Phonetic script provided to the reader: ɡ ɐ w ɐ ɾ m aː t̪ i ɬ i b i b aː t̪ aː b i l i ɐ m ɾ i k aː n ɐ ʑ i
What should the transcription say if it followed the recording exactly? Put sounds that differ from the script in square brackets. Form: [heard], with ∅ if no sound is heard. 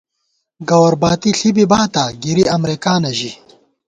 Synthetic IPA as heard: ɡ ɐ w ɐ ɾ [b] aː t̪ i ɬ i b i b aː t̪ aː [ɡ] i [ɾ] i ɐ m ɾ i k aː n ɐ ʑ i

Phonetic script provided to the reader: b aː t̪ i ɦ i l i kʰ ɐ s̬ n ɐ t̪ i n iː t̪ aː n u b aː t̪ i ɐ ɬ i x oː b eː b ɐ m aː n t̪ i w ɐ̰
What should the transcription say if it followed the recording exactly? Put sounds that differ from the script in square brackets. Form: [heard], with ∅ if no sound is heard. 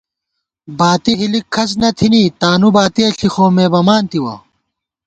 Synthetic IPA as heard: b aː t̪ i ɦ i l i kʰ ɐ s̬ n ɐ [t̪ʰ] i n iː t̪ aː n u b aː t̪ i ɐ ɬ i x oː [m] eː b ɐ m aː n t̪ i w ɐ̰

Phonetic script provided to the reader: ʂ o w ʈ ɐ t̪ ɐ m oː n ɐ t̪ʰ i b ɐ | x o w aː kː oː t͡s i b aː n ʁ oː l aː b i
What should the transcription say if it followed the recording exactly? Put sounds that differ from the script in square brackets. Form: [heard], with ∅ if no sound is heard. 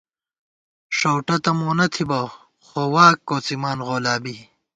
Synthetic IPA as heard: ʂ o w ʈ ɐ t̪ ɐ m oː n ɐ t̪ʰ i b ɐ | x o w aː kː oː t͡s i [m] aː n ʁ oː l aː b i

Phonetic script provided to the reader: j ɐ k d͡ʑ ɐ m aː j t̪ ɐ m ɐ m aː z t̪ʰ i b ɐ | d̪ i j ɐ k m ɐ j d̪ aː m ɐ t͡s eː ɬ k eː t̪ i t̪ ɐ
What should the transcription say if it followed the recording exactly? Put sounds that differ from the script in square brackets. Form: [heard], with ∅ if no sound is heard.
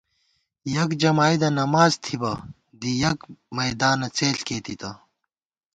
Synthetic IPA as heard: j ɐ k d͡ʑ ɐ m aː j [d̪] ɐ [n] ɐ m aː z t̪ʰ i b ɐ | d̪ i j ɐ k m ɐ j d̪ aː [n] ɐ t͡s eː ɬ k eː t̪ i t̪ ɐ

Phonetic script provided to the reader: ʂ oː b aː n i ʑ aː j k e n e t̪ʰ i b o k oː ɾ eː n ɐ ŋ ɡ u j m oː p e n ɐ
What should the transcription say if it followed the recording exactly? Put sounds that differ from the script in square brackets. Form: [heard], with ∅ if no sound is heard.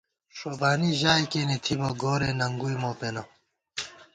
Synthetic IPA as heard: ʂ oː b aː n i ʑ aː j k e n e t̪ʰ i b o [ɡ] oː ɾ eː n ɐ ŋ ɡ u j m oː p e n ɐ

